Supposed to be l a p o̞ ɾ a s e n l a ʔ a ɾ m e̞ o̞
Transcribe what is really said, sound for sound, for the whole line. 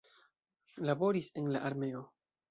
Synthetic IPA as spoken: l a b o̞ ɾ i s e n l a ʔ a ɾ m e̞ o̞